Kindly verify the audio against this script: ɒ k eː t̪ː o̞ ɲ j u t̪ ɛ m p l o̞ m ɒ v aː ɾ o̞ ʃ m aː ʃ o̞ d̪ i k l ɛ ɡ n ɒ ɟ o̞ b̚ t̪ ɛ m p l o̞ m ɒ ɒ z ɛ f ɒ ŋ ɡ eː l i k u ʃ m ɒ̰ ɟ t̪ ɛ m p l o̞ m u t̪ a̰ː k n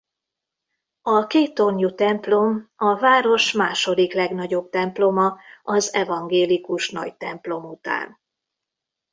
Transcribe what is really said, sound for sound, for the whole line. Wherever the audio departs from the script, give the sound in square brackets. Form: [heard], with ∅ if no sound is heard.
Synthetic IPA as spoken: ɒ k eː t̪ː o̞ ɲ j u t̪ ɛ m p l o̞ m ɒ v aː ɾ o̞ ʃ m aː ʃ o̞ d̪ i k l ɛ ɡ n ɒ ɟ o̞ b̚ t̪ ɛ m p l o̞ m ɒ ɒ z ɛ [v] ɒ ŋ ɡ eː l i k u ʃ [n] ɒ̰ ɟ t̪ ɛ m p l o̞ m u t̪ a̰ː [∅] n